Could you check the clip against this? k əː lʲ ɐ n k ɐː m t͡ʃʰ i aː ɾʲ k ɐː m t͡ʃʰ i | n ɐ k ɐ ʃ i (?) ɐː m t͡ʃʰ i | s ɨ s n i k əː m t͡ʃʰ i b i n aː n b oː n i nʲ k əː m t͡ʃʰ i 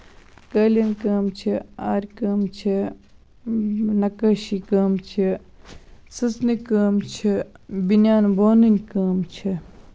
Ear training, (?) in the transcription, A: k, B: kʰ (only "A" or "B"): A